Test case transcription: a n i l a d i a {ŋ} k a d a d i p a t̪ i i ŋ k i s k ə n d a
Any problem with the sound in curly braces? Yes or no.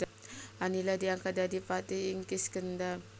no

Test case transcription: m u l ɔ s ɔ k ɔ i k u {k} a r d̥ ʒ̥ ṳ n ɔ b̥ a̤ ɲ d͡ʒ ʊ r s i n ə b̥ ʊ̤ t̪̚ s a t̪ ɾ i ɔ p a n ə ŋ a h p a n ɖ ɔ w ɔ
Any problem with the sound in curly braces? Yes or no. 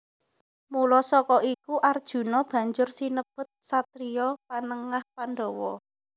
yes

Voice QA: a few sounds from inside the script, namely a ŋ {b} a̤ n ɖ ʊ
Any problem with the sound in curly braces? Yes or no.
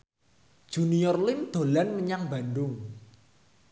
no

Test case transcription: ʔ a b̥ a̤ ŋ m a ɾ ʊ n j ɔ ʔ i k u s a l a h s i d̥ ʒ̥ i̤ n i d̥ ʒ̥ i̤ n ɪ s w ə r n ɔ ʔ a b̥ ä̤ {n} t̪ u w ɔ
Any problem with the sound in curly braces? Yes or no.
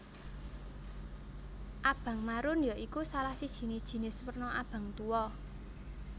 yes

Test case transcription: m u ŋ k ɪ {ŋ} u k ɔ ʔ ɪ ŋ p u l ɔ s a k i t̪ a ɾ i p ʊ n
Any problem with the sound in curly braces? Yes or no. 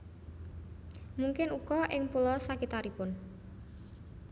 yes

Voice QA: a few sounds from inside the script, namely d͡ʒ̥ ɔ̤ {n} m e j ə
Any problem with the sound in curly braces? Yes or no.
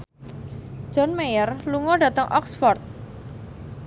no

